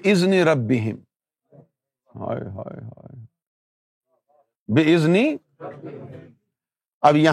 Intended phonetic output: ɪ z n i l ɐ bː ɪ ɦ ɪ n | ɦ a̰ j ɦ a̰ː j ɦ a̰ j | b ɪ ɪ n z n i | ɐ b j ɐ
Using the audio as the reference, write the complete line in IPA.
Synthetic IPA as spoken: ɪ z n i ɾ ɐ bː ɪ ɦ ɪ m | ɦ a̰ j ɦ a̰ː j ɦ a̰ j | b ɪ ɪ z n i | ɐ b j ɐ